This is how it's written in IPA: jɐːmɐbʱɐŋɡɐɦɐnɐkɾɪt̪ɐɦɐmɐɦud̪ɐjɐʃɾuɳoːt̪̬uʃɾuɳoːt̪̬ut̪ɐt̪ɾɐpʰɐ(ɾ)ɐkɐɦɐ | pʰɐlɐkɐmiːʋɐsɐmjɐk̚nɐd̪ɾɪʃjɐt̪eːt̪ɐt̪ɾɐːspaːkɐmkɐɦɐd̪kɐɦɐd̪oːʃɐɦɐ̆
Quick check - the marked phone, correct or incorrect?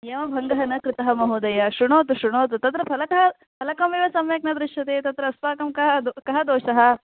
incorrect